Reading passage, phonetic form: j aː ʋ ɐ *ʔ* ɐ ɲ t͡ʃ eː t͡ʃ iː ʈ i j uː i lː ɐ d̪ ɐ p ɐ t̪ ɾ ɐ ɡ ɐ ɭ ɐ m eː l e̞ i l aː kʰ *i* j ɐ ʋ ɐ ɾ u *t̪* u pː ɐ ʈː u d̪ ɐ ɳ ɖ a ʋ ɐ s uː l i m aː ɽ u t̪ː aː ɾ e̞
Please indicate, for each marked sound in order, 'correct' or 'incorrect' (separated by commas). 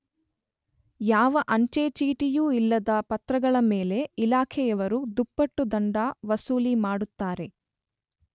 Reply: correct, incorrect, incorrect